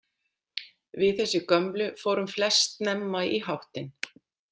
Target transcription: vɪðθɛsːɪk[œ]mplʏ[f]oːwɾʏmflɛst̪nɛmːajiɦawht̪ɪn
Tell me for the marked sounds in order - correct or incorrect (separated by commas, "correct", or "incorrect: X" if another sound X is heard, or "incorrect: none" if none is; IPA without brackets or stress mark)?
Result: correct, correct